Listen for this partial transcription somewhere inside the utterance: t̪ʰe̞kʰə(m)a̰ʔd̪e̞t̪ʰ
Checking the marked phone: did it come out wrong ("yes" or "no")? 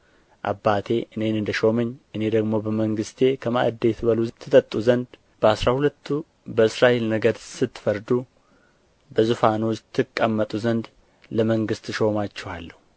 no